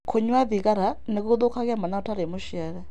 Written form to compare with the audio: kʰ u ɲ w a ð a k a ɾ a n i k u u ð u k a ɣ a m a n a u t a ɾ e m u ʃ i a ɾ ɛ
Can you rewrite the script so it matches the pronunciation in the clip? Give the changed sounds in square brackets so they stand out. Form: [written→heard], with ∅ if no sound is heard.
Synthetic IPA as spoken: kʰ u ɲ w a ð [a→i] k a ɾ a n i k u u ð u k a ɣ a m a n a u t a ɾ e m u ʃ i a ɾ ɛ